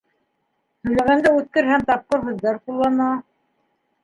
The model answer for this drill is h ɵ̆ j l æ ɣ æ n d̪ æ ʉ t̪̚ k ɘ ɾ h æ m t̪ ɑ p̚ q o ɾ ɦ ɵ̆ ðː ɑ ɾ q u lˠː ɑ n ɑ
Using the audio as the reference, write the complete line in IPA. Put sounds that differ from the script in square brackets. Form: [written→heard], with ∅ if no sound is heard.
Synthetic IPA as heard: h ɵ̆ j l æ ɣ æ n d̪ æ ʉ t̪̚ k ɘ ɾ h æ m t̪ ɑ p̚ q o ɾ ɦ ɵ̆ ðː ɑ ɾ q u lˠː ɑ n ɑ

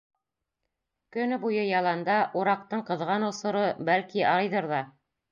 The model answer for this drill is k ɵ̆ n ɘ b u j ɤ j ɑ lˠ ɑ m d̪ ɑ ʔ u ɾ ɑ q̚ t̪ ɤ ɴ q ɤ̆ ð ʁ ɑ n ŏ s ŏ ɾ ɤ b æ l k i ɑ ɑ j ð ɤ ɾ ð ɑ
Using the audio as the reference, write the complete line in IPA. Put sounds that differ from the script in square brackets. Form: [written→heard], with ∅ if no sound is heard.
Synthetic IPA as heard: k ɵ̆ n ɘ b u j ɤ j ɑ lˠ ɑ [m→n] d̪ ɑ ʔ u ɾ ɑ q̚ t̪ ɤ ɴ q ɤ̆ ð ʁ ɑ n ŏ s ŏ ɾ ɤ b æ l k i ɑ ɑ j ð ɤ ɾ ð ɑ

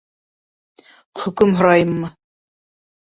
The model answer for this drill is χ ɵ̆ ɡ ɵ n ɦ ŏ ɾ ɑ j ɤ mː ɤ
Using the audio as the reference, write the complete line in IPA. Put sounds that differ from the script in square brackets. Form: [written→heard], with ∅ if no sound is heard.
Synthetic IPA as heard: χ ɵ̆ [ɡ→k] ɵ [n→m] ɦ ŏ ɾ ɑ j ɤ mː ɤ

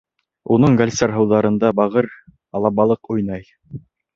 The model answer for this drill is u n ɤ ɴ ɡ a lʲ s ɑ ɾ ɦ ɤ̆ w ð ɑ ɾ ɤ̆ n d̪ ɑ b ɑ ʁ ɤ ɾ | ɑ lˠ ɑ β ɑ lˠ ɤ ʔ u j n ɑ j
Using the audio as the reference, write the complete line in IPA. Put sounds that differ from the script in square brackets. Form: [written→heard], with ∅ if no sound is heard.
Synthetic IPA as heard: u n ɤ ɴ ɡ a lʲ s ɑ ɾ ɦ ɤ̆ w ð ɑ ɾ ɤ̆ n d̪ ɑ b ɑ ʁ ɤ ɾ | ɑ lˠ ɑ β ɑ lˠ ɤ [ʔ→q] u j n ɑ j

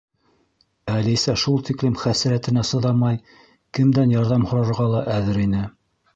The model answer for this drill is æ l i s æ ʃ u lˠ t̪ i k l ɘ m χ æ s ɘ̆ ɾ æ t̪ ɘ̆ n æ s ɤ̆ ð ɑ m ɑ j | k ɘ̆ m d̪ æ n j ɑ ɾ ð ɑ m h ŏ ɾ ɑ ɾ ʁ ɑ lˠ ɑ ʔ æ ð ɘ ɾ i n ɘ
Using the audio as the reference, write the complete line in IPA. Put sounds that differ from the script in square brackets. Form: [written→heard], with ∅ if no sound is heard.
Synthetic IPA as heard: æ l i s æ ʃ u lˠ t̪ i k l ɘ m χ æ s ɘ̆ ɾ æ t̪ ɘ̆ n æ s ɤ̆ ð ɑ m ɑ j | k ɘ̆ m d̪ æ n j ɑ ɾ ð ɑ m h ŏ ɾ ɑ ɾ ʁ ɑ lˠ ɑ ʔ æ ð ɘ ɾ i n ɘ

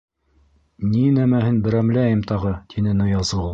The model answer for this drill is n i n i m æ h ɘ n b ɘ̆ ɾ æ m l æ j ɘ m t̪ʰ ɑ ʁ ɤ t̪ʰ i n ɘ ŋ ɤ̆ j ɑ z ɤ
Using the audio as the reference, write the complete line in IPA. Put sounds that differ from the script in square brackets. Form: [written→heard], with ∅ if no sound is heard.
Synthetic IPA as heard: n i n [i→æ] m æ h ɘ n b ɘ̆ ɾ æ m l æ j ɘ m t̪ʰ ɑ ʁ ɤ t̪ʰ i n ɘ [ŋ→n] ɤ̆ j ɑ z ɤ

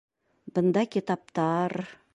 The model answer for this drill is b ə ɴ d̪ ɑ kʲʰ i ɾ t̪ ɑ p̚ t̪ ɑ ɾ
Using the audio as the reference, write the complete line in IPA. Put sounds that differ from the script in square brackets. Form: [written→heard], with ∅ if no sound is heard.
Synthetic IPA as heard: b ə [ɴ→n] d̪ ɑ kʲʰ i [ɾ→∅] t̪ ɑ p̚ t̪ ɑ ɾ

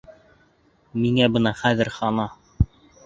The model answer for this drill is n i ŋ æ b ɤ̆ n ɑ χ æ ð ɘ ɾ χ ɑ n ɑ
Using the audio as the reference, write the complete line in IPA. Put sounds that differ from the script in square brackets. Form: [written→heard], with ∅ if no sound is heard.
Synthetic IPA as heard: [n→m] i ŋ æ b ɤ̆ n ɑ χ æ ð ɘ ɾ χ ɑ n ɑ

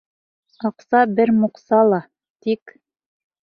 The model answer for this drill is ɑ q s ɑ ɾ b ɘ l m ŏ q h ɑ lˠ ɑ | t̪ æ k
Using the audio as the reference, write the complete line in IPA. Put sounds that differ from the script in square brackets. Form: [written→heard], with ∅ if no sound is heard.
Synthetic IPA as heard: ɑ q s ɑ [ɾ→∅] b ɘ [l→ɾ] m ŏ q [h→s] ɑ lˠ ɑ | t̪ [æ→i] k

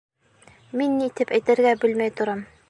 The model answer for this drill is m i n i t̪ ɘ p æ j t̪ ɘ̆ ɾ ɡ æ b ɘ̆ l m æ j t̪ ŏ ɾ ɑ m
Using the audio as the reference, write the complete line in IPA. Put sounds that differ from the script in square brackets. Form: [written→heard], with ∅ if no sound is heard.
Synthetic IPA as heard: m i [n→nː] i t̪ ɘ p æ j t̪ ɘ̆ ɾ ɡ æ b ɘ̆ l m æ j t̪ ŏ ɾ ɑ m

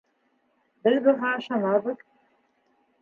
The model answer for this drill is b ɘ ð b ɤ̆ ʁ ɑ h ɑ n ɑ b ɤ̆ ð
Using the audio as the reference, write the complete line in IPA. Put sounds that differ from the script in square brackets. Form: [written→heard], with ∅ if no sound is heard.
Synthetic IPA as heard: b ɘ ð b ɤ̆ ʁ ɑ [h→ʃ] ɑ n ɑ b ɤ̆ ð

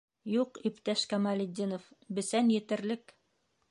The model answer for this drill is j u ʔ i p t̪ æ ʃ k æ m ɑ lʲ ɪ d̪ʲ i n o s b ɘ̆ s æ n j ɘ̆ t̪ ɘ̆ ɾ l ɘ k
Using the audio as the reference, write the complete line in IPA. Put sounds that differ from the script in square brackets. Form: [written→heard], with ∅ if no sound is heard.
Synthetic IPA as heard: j u [ʔ→q] i p t̪ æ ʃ k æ m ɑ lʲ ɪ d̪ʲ i n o [s→f] b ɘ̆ s æ n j ɘ̆ t̪ ɘ̆ ɾ l ɘ k

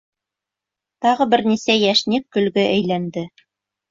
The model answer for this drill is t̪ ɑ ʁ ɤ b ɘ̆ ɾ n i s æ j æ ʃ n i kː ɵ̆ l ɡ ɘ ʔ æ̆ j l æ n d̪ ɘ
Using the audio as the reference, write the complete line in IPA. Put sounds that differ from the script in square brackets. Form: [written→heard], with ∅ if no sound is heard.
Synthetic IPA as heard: t̪ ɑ ʁ ɤ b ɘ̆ ɾ n i s æ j æ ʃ n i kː ɵ̆ l ɡ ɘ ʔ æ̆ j l æ n d̪ ɘ

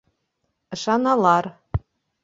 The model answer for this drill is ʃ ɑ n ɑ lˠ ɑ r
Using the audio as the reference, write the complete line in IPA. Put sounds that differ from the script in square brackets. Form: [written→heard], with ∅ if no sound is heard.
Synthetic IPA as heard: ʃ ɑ n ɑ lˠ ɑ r

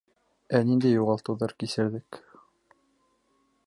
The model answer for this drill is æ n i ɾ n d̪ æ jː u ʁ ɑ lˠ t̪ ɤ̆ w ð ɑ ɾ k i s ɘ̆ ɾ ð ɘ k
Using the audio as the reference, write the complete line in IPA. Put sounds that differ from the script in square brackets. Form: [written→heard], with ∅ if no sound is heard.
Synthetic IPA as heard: æ n i [ɾ→∅] n d̪ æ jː u ʁ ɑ lˠ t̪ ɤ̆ w ð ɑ ɾ k i s ɘ̆ ɾ ð ɘ k

